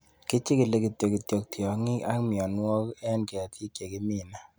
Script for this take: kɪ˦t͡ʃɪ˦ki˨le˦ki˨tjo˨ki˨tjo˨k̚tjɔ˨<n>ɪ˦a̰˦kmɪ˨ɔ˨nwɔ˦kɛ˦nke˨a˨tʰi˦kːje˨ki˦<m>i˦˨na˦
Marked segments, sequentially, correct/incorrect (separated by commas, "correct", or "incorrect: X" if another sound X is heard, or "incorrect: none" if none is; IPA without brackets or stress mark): incorrect: ŋ, correct